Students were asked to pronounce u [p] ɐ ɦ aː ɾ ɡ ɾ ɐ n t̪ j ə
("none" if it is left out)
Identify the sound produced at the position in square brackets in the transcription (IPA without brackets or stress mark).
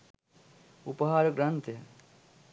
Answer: p